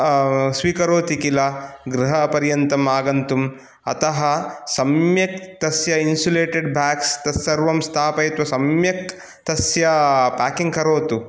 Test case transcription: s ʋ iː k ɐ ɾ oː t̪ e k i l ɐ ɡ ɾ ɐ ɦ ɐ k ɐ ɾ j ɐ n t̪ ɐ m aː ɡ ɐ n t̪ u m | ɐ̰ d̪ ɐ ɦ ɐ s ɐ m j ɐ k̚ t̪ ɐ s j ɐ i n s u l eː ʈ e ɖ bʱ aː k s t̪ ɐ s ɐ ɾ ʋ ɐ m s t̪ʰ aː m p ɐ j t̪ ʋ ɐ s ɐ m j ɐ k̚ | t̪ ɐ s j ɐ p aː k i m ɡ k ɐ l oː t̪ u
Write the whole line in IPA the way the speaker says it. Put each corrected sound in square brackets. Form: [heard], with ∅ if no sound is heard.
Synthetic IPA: s ʋ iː k ɐ ɾ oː t̪ [i] k i l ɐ ɡ ɾ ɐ ɦ ɐ [p] ɐ ɾ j ɐ n t̪ ɐ m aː ɡ ɐ n t̪ u m | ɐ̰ [t̪] ɐ ɦ ɐ s ɐ m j ɐ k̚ t̪ ɐ s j ɐ i n s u l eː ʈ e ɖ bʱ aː k s t̪ ɐ s ɐ ɾ ʋ ɐ m s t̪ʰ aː [∅] p ɐ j t̪ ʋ ɐ s ɐ m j ɐ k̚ | t̪ ɐ s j ɐ p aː k i [ŋ] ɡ k ɐ [ɾ] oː t̪ u